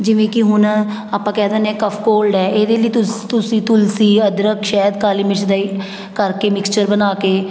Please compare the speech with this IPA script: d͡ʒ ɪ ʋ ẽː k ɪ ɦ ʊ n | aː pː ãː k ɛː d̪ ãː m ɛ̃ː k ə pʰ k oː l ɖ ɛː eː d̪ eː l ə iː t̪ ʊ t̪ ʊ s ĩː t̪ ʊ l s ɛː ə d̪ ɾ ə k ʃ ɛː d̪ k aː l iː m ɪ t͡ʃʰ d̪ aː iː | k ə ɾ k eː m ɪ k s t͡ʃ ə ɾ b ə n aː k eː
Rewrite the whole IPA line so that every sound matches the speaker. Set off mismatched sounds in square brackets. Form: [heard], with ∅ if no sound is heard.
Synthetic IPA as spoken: d͡ʒ ɪ ʋ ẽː k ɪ ɦ ʊ n | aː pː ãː k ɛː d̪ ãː [n] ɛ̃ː k ə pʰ k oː l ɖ ɛː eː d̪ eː l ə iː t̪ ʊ t̪ ʊ s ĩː t̪ ʊ l s [iː] ə d̪ ɾ ə k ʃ ɛː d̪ k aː l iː m ɪ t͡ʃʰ d̪ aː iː | k ə ɾ k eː m ɪ k s t͡ʃ ə ɾ b ə n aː k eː